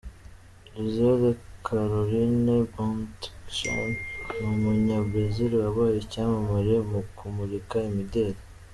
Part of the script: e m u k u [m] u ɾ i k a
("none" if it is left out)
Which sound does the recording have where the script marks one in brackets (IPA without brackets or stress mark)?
m